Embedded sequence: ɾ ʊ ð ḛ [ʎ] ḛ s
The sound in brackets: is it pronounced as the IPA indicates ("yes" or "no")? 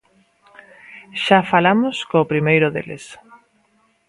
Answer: no